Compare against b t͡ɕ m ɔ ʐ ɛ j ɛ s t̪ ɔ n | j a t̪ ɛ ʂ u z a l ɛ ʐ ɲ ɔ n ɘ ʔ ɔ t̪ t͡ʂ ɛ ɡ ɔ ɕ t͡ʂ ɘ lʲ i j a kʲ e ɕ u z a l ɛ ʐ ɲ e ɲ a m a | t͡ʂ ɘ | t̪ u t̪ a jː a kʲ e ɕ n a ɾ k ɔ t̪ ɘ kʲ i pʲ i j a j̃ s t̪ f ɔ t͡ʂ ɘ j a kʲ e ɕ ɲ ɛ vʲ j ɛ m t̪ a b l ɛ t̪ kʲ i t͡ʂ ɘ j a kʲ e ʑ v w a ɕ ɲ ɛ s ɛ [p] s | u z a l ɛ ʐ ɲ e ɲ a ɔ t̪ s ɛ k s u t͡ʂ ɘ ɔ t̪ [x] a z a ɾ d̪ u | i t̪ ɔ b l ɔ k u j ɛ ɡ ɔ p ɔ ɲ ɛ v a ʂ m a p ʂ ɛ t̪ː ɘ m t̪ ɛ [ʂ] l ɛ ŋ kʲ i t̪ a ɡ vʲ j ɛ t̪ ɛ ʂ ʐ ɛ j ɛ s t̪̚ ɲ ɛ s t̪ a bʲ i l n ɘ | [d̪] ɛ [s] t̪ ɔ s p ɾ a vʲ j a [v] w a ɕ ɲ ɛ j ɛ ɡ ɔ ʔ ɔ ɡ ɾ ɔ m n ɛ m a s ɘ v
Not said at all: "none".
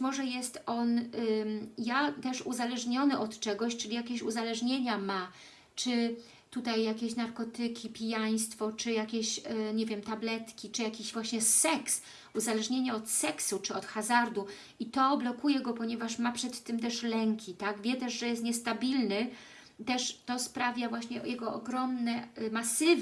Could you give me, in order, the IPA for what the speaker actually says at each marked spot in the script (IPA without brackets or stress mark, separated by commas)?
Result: k, x, ʂ, t̪, ʂ, v